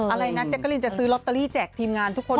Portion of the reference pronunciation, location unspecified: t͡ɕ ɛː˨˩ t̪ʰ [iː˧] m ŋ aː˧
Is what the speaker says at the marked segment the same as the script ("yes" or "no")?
yes